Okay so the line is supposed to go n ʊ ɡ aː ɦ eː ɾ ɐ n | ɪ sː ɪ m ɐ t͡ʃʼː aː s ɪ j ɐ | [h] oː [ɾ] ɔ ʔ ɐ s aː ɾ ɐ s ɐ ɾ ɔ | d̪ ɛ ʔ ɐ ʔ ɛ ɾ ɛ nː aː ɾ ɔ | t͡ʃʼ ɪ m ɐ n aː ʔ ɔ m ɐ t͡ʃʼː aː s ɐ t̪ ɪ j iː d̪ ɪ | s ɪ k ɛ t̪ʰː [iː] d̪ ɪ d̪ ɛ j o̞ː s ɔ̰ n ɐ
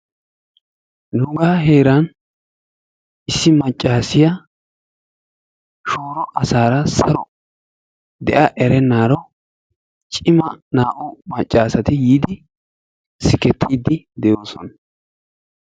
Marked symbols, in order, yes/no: no, yes, yes

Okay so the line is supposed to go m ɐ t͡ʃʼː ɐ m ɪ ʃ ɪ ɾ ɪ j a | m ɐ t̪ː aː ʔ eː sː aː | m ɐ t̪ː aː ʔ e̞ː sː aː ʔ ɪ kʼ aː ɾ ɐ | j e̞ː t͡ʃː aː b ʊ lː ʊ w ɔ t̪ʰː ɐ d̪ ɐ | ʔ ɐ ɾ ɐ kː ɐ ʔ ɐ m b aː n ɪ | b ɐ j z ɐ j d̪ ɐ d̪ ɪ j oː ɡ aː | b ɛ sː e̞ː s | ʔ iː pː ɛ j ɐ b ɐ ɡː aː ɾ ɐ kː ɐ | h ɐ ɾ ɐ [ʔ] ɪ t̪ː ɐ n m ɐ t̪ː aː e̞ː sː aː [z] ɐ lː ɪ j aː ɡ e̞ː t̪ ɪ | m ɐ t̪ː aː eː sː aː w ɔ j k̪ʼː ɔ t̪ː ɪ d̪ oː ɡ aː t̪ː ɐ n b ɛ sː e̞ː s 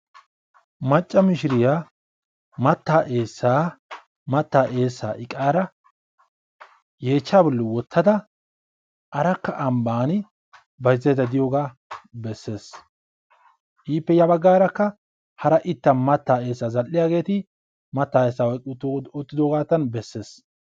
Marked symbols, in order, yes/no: yes, yes

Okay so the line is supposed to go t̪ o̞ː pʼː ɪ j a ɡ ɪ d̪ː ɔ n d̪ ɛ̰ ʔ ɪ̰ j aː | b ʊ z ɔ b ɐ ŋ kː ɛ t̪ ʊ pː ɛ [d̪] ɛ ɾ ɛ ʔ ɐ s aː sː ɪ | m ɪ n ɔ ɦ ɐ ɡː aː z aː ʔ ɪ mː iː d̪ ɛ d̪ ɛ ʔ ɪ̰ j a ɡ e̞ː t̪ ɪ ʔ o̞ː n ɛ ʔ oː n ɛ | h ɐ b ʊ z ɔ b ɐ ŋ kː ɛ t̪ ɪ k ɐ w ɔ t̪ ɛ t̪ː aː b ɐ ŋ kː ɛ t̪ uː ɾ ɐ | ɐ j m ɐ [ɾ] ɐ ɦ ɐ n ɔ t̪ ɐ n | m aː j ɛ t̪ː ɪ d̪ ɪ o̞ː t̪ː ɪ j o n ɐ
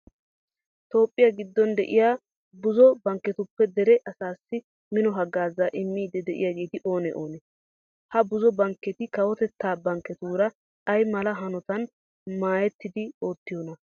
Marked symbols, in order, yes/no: yes, no

